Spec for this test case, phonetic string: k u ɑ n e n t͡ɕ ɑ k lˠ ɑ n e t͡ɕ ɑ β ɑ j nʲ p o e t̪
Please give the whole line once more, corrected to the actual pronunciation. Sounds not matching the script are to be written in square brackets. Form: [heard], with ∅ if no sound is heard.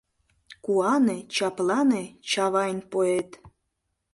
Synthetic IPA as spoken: k u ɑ n e [∅] t͡ɕ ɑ [p] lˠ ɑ n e t͡ɕ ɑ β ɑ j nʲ p o e t̪